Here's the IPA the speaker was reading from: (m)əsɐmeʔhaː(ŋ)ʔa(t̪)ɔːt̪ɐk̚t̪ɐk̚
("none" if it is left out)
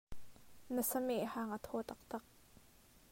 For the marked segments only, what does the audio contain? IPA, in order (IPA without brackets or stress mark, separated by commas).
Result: n, ŋ, t̪ʰ